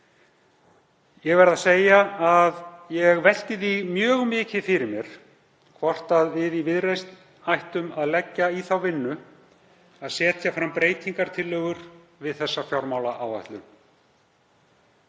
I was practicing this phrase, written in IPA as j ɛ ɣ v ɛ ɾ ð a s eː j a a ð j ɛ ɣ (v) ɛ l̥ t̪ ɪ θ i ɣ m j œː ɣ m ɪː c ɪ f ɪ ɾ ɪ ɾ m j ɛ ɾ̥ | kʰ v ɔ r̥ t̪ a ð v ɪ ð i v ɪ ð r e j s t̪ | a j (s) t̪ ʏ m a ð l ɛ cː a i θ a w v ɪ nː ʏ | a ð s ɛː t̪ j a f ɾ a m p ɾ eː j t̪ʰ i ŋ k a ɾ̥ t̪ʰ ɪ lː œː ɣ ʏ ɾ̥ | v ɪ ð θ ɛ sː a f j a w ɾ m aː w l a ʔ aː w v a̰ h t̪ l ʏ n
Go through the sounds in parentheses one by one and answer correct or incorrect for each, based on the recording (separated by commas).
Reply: correct, incorrect